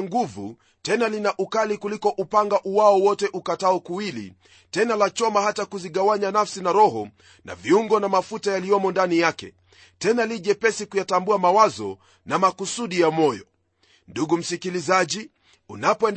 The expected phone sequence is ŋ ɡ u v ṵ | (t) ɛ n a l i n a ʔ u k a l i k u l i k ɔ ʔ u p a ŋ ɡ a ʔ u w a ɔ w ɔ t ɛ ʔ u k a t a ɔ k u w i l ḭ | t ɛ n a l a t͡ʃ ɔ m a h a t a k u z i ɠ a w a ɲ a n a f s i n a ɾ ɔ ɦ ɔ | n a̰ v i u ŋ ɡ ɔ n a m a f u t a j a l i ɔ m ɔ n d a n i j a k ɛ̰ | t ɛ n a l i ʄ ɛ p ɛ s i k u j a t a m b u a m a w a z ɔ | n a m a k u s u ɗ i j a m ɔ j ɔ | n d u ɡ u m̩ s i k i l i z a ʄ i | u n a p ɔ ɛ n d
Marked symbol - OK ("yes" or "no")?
yes